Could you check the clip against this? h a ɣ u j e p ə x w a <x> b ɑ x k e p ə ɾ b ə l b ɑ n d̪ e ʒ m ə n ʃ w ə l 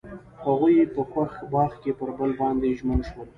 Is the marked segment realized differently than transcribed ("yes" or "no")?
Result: no